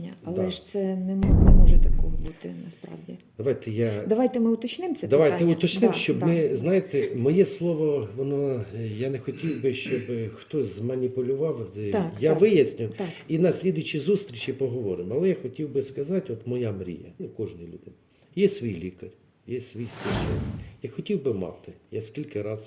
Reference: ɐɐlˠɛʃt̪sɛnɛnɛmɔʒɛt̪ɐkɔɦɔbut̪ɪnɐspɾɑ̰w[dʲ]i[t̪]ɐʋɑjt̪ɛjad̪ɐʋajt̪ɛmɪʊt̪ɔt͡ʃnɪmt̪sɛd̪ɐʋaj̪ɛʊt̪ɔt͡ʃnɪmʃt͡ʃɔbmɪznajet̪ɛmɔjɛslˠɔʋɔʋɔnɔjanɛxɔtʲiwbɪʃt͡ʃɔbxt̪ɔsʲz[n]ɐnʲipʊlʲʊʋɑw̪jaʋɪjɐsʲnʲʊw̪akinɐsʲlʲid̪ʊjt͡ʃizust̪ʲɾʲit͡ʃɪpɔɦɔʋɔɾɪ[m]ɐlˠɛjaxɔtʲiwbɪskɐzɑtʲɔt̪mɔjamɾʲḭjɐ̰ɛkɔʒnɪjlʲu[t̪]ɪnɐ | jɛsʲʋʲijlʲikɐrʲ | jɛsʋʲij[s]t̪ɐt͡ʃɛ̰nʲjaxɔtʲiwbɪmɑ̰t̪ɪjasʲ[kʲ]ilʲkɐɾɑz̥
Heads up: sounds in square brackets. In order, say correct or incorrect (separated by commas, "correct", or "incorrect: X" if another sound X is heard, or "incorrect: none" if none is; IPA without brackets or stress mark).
correct, incorrect: d̪, incorrect: m, correct, incorrect: d̪, correct, correct